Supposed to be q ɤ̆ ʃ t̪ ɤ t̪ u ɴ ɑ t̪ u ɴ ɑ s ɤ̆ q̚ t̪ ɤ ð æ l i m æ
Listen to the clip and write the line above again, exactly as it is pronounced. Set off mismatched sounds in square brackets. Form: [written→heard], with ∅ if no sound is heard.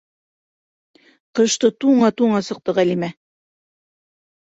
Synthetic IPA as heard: q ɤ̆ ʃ t̪ ɤ t̪ u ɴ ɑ t̪ u ɴ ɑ s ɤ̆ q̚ t̪ ɤ [ð→ʁ] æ l i m æ